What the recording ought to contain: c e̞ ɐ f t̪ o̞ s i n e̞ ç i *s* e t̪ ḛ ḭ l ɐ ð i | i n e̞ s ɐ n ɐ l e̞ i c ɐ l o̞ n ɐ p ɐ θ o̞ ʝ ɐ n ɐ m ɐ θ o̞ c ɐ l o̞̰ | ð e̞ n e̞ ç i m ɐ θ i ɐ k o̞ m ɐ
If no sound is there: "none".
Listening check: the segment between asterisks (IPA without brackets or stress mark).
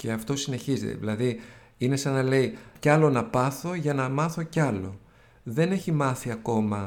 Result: z